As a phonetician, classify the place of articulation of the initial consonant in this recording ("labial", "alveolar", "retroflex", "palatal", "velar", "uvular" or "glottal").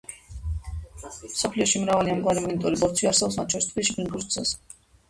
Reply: labial